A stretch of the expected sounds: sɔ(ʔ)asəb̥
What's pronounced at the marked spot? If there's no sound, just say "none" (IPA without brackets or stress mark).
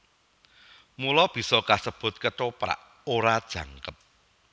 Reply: k